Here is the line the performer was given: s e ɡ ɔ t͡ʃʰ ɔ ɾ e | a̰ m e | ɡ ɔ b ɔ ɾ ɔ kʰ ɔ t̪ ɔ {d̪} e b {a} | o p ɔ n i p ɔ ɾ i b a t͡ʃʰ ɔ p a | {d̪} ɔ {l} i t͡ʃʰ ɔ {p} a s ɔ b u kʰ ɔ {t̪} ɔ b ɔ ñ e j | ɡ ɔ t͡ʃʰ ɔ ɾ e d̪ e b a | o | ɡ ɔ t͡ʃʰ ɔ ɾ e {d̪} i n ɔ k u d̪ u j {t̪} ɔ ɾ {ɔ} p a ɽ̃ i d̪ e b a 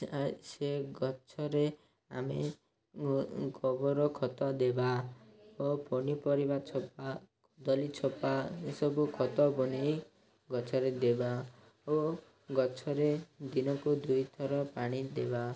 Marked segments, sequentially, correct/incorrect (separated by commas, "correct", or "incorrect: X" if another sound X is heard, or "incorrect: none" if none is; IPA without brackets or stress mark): correct, correct, correct, correct, correct, correct, correct, incorrect: t̪ʰ, correct